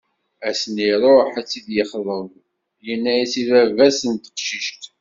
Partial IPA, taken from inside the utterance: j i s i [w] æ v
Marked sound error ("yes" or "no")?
yes